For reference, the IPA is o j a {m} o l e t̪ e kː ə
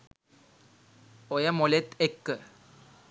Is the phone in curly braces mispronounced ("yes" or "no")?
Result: no